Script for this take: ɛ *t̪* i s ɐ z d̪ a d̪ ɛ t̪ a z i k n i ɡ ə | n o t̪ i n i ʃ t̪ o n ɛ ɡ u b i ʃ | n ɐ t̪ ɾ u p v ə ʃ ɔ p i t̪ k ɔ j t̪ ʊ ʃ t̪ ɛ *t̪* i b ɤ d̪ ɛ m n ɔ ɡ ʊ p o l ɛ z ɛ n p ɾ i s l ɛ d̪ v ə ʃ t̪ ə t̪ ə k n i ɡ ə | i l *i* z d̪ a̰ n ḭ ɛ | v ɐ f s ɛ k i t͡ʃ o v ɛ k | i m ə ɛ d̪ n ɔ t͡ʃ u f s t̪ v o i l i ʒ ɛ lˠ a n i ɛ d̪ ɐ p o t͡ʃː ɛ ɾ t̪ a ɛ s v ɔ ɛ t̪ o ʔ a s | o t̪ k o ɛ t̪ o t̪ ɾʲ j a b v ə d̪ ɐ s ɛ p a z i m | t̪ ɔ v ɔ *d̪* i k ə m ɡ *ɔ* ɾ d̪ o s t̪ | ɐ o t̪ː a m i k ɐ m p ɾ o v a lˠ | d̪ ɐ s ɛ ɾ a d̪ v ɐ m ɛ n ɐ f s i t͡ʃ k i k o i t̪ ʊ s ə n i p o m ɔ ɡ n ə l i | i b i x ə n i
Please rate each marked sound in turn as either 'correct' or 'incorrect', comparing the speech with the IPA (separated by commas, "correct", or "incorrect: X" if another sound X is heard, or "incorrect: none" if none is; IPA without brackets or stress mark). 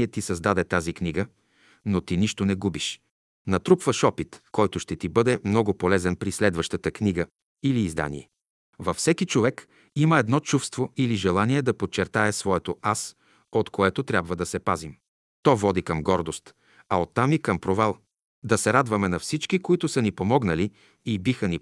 correct, correct, incorrect: iː, correct, correct